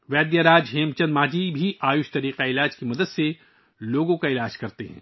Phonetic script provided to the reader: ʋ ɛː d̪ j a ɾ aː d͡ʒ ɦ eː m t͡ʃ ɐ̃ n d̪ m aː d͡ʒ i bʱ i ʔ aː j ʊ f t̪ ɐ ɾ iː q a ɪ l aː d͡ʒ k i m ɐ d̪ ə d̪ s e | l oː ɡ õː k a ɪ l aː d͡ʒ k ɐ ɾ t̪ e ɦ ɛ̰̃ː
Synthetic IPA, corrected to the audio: ʋ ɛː d̪ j a ɾ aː d͡ʒ ɦ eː m t͡ʃ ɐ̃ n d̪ m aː d͡ʒ i bʱ i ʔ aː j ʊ ʃ t̪ ɐ ɾ iː q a ɪ l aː d͡ʒ k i m ɐ d̪ ə d̪ s e | l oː ɡ õ k a ɪ l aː d͡ʒ k ɐ ɾ t̪ e ɦ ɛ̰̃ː